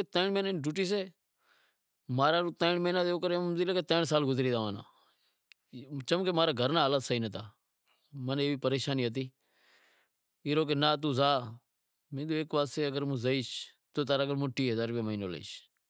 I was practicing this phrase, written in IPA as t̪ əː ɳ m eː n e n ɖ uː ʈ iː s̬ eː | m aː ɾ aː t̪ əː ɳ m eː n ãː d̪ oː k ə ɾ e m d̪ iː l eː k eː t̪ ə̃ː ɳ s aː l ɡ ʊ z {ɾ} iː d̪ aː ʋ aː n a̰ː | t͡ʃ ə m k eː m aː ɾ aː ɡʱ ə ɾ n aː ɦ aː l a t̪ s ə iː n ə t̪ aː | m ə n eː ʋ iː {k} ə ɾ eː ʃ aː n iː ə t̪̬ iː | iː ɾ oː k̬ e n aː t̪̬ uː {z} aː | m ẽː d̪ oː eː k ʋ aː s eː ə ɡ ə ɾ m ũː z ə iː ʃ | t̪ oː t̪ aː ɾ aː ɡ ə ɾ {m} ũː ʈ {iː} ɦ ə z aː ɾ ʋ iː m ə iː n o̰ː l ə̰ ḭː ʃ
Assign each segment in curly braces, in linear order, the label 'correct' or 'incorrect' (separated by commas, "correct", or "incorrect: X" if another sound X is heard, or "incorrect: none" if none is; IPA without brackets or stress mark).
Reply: correct, incorrect: p, correct, correct, correct